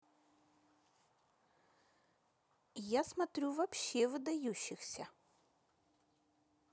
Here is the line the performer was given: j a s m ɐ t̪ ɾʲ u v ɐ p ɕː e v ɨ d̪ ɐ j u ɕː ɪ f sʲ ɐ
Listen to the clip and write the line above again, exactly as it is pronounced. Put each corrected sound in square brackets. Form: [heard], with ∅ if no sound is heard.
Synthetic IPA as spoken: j a s m ɐ t̪ ɾʲ u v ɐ p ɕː e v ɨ d̪ ɐ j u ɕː ɪ [x] sʲ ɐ